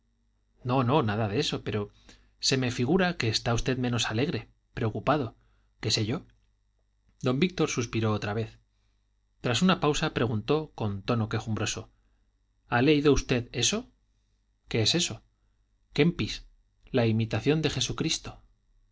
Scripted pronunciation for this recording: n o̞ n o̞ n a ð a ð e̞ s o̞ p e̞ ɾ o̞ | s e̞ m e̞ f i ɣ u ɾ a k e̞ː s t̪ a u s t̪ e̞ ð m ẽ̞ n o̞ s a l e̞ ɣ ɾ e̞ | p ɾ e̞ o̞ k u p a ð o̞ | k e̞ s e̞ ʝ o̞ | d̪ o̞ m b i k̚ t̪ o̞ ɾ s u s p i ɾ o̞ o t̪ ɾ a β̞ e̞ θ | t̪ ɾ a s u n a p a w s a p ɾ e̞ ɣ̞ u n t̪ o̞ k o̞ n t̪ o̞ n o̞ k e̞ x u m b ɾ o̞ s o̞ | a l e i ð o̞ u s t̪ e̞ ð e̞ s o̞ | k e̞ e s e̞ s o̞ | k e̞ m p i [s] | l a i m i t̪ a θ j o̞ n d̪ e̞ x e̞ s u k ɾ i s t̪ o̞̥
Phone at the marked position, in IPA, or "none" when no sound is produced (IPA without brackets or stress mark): s